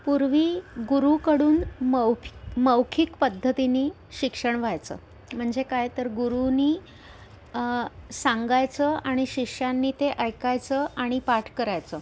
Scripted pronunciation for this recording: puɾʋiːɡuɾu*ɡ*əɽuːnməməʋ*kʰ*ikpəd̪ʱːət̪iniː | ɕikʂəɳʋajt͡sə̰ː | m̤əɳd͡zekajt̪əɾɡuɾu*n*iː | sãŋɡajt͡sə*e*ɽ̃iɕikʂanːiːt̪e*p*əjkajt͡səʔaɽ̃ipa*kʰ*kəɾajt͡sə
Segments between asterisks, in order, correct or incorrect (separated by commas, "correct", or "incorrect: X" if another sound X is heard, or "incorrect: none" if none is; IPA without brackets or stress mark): incorrect: k, correct, correct, incorrect: a, incorrect: ʔ, incorrect: ʈʰ